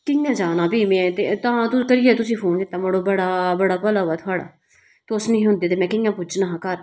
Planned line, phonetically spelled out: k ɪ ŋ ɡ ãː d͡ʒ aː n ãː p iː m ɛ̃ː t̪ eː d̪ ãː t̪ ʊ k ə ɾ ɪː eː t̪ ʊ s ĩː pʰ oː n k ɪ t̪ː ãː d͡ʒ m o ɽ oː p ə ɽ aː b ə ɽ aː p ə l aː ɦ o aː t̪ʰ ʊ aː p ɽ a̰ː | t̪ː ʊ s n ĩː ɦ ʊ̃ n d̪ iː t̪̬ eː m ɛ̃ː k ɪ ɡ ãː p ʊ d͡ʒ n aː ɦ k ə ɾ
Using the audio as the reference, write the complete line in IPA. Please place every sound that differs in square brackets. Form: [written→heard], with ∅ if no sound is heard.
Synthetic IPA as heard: k ɪ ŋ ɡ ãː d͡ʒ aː n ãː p iː m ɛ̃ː t̪ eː [d̪→t̪] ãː t̪ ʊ k ə ɾ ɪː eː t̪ ʊ s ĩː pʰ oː n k ɪ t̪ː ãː [d͡ʒ→∅] m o ɽ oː [p→b] ə ɽ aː b ə ɽ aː p ə l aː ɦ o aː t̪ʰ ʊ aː [p→∅] ɽ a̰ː | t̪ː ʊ s n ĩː ɦ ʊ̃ n d̪ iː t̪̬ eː m ɛ̃ː k ɪ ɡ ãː p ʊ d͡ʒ n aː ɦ k ə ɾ

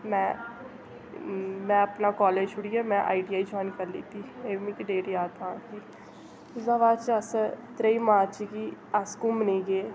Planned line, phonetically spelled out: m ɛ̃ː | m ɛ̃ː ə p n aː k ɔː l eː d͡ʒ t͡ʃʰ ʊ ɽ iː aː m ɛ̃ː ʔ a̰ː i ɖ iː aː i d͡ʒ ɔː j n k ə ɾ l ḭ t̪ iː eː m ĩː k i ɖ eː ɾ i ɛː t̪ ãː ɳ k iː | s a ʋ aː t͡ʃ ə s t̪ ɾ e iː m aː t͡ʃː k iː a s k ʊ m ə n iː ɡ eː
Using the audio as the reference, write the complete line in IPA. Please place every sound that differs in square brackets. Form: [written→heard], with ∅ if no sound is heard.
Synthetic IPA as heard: m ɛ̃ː | m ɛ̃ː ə p n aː k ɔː l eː d͡ʒ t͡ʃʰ ʊ ɽ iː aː m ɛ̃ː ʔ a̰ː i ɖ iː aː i d͡ʒ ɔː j n k ə ɾ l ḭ t̪ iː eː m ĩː k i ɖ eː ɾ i [ɛː→aː] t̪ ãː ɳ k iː | [s→z] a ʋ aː t͡ʃ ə s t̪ ɾ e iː m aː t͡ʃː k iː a s k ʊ m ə n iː ɡ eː

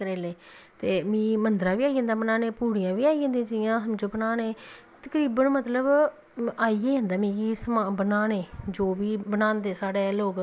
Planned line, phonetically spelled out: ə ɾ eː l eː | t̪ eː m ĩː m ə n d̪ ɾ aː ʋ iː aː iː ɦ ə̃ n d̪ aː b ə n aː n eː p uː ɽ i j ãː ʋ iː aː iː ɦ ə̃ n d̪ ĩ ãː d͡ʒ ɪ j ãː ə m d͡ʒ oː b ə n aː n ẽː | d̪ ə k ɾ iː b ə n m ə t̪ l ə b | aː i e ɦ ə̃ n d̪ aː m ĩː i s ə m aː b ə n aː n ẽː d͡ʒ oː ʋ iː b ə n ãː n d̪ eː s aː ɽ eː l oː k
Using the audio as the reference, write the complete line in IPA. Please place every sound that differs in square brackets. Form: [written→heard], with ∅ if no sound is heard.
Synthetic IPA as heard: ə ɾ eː l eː | t̪ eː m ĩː m ə n d̪ ɾ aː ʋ iː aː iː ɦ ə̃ n d̪ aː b ə n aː n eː p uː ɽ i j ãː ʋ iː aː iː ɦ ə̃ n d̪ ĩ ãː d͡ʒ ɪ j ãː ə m d͡ʒ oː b ə n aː n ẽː | [d̪→t̪] ə k ɾ iː b ə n m ə t̪ l ə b | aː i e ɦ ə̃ n d̪ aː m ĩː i s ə m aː b ə n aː n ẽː d͡ʒ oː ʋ iː b ə n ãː n d̪ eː s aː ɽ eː l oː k

